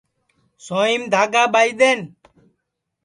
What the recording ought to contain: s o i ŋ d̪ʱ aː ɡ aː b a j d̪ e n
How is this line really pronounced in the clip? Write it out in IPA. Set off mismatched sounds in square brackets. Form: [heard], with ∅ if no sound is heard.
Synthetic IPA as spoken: s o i [m] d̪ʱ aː ɡ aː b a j d̪ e n